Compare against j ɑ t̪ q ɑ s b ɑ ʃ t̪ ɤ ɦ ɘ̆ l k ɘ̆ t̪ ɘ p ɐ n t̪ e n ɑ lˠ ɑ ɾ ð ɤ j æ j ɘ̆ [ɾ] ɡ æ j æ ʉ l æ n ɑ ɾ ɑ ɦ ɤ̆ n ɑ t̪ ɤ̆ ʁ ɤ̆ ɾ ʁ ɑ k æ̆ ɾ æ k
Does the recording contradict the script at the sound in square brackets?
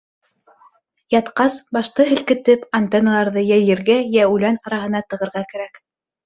no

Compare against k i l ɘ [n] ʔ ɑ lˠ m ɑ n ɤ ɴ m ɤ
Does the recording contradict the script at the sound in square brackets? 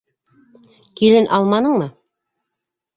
no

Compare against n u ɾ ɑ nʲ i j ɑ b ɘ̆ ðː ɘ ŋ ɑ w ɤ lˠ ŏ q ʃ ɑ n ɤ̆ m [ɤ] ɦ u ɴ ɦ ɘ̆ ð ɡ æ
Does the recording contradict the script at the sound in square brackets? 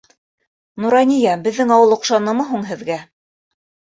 no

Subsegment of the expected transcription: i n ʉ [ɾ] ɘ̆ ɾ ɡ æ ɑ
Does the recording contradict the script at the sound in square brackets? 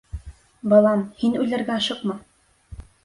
yes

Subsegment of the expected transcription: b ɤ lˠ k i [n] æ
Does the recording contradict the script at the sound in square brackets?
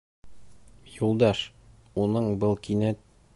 no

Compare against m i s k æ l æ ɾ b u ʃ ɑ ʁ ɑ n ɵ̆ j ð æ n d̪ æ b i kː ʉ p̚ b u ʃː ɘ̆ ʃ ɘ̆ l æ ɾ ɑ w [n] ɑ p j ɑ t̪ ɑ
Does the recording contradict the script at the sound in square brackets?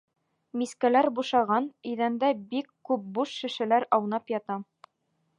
no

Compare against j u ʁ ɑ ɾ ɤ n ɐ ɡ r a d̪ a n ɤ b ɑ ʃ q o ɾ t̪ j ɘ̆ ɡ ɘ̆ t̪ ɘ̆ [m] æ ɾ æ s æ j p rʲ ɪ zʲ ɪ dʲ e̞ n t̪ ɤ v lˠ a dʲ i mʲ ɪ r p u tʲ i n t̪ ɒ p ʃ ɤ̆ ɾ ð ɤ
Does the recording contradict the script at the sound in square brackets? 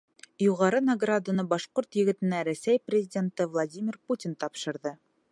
yes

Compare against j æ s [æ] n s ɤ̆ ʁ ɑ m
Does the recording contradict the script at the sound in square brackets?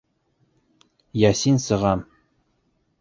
yes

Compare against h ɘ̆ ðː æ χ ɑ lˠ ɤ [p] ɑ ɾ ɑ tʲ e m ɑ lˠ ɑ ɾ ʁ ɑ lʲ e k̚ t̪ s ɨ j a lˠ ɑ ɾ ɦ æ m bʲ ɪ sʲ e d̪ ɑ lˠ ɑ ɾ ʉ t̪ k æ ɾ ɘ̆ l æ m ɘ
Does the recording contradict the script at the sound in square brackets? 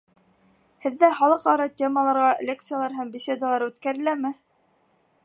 yes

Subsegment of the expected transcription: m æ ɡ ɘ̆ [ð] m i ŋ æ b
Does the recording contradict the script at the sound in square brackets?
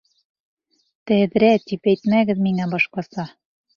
no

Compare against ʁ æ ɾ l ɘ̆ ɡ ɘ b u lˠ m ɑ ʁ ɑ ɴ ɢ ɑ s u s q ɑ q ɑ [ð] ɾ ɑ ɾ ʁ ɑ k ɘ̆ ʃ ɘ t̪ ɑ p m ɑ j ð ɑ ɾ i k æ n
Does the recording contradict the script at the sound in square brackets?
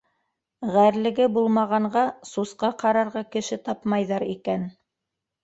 yes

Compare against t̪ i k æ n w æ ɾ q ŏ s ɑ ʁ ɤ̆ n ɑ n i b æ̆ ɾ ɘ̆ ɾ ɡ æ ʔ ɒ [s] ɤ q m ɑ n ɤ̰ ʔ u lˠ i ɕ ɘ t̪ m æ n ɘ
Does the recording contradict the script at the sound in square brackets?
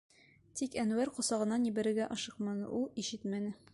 yes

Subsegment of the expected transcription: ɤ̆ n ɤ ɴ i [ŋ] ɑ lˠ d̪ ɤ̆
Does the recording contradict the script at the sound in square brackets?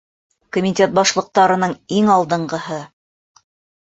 no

